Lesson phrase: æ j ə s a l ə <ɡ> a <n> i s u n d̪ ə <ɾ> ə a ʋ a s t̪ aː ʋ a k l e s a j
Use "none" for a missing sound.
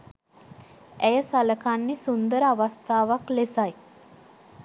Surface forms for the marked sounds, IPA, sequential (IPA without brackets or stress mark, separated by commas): k, nː, ɾ